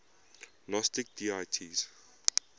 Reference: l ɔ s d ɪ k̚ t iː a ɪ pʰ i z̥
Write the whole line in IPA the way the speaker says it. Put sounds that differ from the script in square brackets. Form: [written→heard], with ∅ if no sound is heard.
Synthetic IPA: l ɔ s [d→t] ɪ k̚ [t→d] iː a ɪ [pʰ→tʰ] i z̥

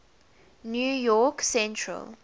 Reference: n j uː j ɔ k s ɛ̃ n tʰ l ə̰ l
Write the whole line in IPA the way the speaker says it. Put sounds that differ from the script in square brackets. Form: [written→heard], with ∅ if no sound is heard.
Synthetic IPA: n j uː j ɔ k s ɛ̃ n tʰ [l→ɹ] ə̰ l

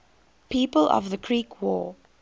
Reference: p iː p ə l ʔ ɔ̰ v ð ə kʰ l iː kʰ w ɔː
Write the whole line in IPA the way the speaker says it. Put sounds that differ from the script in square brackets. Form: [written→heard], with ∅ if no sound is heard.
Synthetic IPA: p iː p ə l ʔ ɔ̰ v ð ə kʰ [l→ɹ] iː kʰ w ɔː

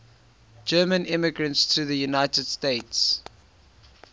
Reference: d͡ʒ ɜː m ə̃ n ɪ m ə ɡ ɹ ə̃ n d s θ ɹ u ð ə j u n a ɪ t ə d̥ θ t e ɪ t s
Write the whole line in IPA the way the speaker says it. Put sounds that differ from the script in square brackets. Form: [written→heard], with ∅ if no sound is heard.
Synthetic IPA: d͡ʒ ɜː m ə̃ n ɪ m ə ɡ ɹ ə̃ n [d→t] s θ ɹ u ð ə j u n a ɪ t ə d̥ [θ→s] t e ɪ t s

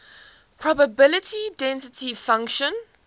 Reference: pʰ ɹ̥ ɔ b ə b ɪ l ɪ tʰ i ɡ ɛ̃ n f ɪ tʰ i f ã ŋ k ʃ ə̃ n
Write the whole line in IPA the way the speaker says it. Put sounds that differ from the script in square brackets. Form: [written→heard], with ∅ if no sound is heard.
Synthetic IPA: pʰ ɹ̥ ɔ b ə b ɪ l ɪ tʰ i [ɡ→d] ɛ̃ n [f→s] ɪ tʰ i f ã ŋ k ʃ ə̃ n

